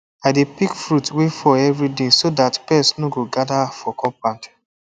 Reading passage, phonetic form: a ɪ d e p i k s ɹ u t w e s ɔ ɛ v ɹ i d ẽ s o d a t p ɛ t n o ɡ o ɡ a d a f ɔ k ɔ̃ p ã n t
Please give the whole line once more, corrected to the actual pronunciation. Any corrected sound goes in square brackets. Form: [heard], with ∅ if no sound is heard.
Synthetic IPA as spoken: a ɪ d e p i k [f] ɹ u t w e [f] ɔ ɛ v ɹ i d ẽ s o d a t p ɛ [s] n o ɡ o ɡ a d a f ɔ k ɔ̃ p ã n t